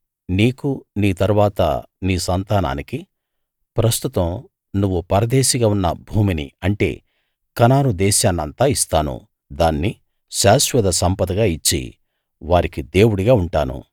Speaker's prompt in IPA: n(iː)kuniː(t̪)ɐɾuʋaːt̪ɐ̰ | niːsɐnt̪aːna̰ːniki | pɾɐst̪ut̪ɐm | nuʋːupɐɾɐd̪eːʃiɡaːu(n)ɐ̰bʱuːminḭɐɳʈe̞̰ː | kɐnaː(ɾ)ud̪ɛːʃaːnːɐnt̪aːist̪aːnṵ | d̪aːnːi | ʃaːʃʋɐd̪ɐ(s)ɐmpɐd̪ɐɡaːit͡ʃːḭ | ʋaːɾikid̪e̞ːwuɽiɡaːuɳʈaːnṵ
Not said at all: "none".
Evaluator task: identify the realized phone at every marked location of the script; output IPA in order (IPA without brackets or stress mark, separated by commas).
iː, t̪, nː, ɾ, s